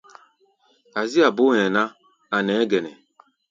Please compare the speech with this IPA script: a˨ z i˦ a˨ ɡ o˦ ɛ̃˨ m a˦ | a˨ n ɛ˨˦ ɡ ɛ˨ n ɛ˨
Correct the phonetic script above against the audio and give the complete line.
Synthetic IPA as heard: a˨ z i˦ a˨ b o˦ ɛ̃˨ n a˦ | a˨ n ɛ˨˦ ɡ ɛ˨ n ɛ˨